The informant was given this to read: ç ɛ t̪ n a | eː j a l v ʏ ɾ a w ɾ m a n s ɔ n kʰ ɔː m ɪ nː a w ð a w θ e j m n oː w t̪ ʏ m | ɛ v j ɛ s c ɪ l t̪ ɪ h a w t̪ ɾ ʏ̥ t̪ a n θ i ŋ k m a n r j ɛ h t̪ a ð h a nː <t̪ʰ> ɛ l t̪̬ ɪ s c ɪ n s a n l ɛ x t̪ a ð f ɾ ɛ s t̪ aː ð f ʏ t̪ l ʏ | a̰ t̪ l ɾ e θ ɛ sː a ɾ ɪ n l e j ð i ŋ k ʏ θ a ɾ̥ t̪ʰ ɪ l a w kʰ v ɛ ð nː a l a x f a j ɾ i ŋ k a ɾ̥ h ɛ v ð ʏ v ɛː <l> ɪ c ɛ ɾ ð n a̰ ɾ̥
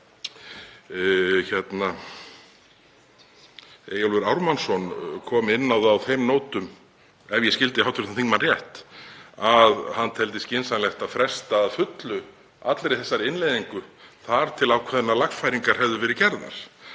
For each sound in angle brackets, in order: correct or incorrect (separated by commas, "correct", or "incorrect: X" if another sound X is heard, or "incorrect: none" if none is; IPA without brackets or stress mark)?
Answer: correct, incorrect: ɾ